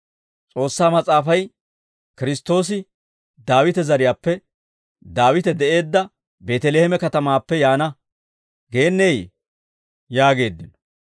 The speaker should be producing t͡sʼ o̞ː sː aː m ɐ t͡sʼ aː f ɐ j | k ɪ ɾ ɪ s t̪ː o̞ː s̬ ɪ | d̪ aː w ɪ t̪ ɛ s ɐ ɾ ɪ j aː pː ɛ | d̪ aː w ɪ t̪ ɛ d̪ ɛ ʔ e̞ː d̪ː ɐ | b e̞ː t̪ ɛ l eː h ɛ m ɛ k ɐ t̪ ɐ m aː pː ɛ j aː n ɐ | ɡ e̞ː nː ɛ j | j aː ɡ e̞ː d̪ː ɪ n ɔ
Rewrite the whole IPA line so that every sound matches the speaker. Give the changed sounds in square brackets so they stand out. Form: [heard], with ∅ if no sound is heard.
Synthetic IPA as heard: t͡sʼ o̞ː sː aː m ɐ t͡sʼ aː f ɐ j | k ɪ ɾ ɪ s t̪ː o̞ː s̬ ɪ | d̪ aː w ɪ t̪ ɛ [z] ɐ ɾ ɪ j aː pː ɛ | d̪ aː w ɪ t̪ ɛ d̪ ɛ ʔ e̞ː d̪ː ɐ | b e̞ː t̪ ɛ l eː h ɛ m ɛ k ɐ t̪ ɐ m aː pː ɛ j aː n ɐ | ɡ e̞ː nː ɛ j | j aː ɡ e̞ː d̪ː ɪ n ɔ